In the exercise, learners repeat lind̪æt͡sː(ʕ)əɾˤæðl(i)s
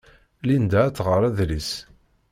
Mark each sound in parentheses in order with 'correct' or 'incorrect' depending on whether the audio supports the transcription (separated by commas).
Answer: incorrect, correct